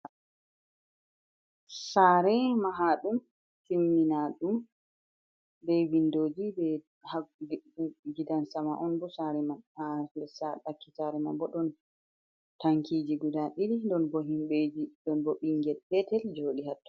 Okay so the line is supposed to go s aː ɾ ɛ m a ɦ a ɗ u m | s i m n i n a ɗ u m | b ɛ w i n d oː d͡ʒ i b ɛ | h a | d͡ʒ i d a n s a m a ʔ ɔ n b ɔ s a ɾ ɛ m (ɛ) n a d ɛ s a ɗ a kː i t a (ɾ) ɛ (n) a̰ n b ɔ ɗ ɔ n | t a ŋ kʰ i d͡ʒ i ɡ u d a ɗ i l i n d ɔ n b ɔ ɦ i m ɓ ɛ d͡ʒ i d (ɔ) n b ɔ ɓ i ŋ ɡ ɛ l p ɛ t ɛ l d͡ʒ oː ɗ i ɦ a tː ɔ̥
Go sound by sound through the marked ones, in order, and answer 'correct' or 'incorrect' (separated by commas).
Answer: incorrect, correct, incorrect, correct